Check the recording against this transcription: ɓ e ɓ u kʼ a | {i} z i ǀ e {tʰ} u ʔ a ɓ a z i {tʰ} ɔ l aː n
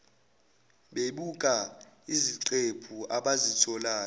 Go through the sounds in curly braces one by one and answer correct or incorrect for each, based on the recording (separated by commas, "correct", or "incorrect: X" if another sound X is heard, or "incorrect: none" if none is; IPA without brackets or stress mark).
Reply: correct, incorrect: pʰ, correct